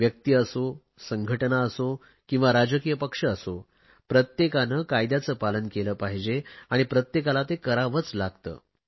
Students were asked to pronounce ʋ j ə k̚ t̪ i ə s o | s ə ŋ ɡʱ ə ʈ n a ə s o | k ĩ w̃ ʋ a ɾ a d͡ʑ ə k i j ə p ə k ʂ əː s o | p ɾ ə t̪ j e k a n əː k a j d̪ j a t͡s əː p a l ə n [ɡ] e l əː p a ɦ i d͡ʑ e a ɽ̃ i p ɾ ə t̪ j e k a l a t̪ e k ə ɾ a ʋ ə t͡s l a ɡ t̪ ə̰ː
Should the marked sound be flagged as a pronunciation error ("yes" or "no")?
yes